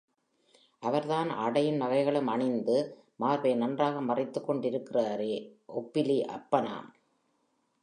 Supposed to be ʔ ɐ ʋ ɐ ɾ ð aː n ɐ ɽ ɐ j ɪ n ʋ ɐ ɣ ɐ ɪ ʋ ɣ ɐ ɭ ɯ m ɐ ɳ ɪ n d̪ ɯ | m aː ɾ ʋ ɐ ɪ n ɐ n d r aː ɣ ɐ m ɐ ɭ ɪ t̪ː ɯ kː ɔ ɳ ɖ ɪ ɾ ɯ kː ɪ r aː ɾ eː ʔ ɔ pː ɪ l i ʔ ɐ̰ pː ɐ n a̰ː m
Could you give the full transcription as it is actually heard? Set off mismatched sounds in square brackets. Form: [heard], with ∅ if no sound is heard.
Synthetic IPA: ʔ ɐ ʋ ɐ ɾ ð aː n ɐ ɽ ɐ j ɪ n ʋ ɐ ɣ ɐ ɪ [∅] ɣ ɐ ɭ ɯ m ɐ ɳ ɪ n d̪ ɯ | m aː ɾ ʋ ɐ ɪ n ɐ n d r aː ɣ ɐ m ɐ [r] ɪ t̪ː ɯ kː ɔ ɳ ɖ ɪ ɾ ɯ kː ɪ r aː ɾ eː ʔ ɔ pː ɪ l i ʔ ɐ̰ pː ɐ n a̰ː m

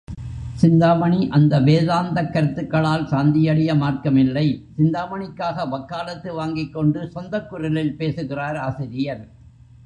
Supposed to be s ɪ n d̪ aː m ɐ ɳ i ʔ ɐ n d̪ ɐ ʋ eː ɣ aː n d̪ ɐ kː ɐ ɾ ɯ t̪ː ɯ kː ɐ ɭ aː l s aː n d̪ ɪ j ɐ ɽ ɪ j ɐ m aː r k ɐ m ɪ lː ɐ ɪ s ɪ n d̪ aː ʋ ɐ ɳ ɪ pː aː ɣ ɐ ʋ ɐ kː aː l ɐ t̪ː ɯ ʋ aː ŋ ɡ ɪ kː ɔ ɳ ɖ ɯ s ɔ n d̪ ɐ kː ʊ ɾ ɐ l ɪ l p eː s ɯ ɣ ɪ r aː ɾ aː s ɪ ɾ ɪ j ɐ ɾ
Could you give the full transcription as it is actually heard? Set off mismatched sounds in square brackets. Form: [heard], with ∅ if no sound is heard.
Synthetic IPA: s ɪ n d̪ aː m ɐ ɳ i ʔ ɐ n d̪ ɐ ʋ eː [ð] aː n d̪ ɐ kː ɐ ɾ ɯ t̪ː ɯ kː ɐ ɭ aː l s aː n d̪ ɪ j ɐ ɽ ɪ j ɐ m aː r k ɐ m ɪ lː ɐ ɪ s ɪ n d̪ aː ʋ ɐ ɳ ɪ [kː] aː ɣ ɐ ʋ ɐ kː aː l ɐ t̪ː ɯ ʋ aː ŋ ɡ ɪ kː ɔ ɳ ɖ ɯ s ɔ n d̪ ɐ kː ʊ ɾ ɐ l ɪ l p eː s ɯ ɣ ɪ r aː ɾ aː s ɪ ɾ ɪ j ɐ ɾ

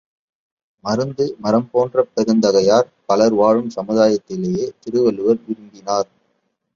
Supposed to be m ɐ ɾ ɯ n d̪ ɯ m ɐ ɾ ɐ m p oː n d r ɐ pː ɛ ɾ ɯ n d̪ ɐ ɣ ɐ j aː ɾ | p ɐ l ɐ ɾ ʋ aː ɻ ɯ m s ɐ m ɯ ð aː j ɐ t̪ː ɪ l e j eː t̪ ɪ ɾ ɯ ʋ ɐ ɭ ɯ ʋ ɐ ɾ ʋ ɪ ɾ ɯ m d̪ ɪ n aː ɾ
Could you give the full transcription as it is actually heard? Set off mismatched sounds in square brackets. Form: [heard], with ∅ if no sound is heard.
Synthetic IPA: m ɐ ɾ ɯ n d̪ ɯ m ɐ ɾ ɐ m p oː n d r ɐ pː ɛ ɾ ɯ n d̪ ɐ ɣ ɐ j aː ɾ | p ɐ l ɐ ɾ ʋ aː ɻ ɯ m s ɐ m ɯ ð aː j ɐ t̪ː ɪ l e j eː t̪ ɪ ɾ ɯ ʋ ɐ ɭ ɯ ʋ ɐ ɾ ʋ ɪ ɾ ɯ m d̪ ɪ n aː ɾ

